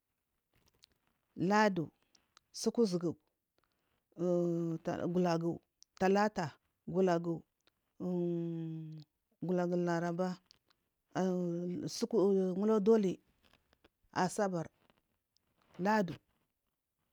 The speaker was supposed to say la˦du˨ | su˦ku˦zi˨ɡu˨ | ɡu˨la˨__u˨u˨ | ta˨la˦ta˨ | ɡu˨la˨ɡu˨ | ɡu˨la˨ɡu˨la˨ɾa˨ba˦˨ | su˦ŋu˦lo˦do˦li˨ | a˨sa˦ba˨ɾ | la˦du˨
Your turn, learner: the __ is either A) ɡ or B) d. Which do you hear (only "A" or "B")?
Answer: A